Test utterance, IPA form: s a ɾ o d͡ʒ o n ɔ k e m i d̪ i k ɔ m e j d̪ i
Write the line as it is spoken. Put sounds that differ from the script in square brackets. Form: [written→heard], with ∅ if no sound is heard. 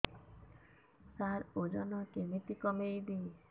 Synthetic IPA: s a ɾ o d͡ʒ [o→ɔ] n ɔ k e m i [d̪→t̪] i k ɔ m e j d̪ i